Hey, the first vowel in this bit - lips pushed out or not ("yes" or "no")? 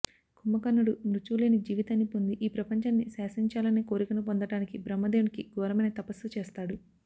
yes